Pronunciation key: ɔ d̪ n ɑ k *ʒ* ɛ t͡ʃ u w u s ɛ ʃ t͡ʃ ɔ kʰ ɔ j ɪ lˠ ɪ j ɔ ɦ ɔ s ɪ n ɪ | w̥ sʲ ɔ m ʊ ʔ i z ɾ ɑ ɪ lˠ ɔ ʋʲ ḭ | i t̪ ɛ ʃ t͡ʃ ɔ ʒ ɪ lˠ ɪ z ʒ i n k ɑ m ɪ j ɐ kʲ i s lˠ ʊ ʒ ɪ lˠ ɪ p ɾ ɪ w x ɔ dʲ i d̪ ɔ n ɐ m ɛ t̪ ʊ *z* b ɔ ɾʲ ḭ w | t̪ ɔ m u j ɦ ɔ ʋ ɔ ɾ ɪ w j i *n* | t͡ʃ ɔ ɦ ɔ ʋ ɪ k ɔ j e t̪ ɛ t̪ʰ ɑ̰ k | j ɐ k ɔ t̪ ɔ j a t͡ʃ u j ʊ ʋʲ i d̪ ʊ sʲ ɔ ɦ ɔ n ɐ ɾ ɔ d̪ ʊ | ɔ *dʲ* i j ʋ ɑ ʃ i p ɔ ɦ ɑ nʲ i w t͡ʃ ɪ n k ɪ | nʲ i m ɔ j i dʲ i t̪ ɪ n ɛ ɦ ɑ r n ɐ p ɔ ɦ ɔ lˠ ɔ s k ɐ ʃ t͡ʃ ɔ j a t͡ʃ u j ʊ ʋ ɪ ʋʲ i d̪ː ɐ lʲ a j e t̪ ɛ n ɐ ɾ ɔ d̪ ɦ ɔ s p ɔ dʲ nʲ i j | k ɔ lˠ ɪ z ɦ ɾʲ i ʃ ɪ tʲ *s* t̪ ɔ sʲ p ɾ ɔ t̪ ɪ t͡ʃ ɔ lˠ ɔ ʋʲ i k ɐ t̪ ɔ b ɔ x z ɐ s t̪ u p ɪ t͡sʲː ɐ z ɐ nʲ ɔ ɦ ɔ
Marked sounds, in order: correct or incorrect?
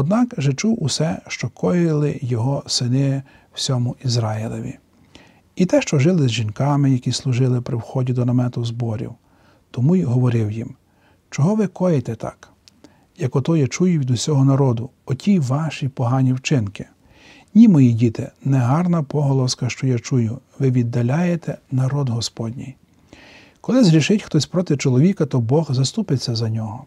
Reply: correct, correct, incorrect: m, incorrect: tʲ, incorrect: x

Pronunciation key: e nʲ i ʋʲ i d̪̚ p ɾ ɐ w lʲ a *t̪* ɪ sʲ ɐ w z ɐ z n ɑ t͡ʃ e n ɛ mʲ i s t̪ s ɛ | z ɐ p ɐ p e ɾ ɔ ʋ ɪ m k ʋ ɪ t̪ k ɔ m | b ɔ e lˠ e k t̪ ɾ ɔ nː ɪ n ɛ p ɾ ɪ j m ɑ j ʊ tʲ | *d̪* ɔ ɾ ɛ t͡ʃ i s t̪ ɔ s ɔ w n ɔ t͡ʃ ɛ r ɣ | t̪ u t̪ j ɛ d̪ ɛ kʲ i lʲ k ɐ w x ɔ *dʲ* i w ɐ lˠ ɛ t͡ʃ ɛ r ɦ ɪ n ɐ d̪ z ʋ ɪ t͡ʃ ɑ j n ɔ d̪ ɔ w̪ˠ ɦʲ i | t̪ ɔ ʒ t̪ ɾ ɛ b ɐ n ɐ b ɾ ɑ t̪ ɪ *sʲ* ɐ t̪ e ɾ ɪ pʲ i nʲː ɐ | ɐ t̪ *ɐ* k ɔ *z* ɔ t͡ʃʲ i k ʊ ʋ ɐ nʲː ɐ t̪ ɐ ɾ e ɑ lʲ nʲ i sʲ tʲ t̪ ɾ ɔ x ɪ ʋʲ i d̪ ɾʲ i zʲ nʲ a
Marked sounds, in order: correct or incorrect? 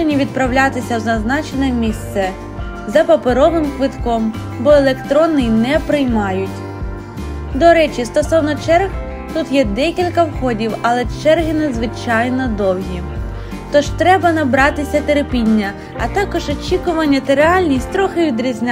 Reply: correct, correct, correct, correct, incorrect: ɑ, incorrect: ʒ

